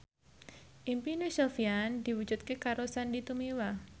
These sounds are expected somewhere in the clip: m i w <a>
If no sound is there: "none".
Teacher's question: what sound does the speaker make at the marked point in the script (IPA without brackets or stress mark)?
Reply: a